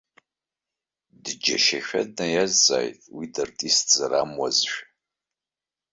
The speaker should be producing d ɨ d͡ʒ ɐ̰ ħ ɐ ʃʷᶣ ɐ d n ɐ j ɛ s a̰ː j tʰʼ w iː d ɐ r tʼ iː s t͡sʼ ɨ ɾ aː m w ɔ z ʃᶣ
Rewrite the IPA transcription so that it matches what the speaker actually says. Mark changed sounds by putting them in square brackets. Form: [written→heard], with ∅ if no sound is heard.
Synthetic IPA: d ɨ d͡ʒ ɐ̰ [ħ→ʃ] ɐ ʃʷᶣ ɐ d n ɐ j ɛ [s→z] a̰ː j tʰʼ w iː d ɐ r tʼ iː s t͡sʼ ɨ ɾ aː m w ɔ z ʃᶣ